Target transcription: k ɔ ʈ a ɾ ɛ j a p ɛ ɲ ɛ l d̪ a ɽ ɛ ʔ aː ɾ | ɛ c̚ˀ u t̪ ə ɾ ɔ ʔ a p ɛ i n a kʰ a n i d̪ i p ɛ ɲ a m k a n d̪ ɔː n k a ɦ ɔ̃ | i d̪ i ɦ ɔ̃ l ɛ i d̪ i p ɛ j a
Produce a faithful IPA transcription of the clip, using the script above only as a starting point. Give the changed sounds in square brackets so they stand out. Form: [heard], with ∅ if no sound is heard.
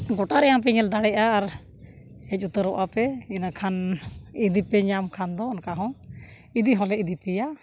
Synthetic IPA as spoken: [ɡ] ɔ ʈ a ɾ ɛ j a p ɛ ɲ ɛ l d̪ a ɽ ɛ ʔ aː ɾ | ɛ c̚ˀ u t̪ ə ɾ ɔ ʔ a p ɛ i n a kʰ a n i d̪ i p ɛ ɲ a m [kʰ] a n d̪ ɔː n k a ɦ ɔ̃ | i d̪ i ɦ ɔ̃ l ɛ i d̪ i p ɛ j a